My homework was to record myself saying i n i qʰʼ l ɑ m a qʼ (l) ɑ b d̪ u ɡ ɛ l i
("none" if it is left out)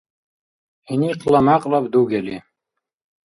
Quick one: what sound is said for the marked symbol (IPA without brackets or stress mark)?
l